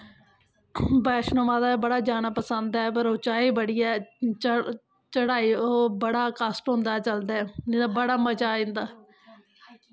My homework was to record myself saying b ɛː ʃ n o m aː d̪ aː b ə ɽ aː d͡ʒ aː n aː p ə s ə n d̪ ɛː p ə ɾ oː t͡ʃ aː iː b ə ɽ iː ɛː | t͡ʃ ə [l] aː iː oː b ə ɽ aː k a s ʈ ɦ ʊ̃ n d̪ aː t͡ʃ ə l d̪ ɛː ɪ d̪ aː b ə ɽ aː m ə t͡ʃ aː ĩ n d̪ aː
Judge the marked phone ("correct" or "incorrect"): incorrect